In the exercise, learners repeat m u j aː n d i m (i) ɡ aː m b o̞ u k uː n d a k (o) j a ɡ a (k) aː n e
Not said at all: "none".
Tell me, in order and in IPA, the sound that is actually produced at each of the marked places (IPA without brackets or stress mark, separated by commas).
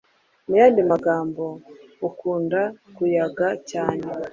a, u, c